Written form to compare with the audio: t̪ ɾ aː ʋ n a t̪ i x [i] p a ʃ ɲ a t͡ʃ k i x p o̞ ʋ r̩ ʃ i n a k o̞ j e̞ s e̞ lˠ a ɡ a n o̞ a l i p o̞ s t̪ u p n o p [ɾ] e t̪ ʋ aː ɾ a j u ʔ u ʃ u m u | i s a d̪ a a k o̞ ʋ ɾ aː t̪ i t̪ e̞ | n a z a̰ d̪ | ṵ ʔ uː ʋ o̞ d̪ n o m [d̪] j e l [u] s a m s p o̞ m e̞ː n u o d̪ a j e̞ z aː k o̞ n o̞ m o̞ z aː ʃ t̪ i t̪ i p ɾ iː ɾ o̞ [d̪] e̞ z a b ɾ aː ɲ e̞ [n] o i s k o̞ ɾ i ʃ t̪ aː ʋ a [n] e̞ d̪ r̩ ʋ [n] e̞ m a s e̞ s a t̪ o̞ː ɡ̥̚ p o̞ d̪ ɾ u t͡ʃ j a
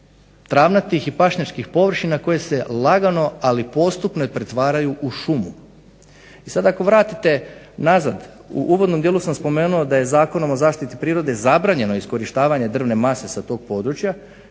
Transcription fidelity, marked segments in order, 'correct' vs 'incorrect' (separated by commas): correct, correct, correct, correct, correct, correct, incorrect, correct